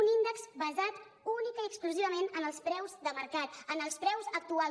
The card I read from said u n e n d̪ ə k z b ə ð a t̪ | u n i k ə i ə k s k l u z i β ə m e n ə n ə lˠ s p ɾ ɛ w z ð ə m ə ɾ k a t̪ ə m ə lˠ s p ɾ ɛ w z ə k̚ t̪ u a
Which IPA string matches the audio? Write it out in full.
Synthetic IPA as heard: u n i n d̪ ə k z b ə z a t̪ | u n i k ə i ə k s k l u z i β ə m e n ə n ə lˠ s p ɾ ɛ w z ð ə m ə ɾ k a t̪ ə n ə lˠ s p ɾ ɛ w z ə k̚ t̪ u a